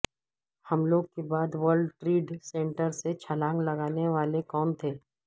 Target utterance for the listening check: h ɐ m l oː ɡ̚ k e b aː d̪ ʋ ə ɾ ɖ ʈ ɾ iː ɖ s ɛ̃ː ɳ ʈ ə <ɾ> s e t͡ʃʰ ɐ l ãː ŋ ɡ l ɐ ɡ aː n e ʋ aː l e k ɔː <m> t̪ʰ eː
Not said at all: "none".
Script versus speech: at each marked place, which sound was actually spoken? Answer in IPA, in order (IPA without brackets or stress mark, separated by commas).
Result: ɾ, n